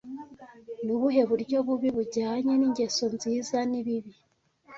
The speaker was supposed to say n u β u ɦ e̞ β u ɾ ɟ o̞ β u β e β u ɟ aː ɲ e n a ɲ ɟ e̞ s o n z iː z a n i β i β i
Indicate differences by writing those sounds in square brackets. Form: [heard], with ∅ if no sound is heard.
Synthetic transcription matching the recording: n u β u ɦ e̞ β u ɾ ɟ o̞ β u β [i] β u ɟ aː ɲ e n [i] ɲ ɟ e̞ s o n z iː z a n i β i β i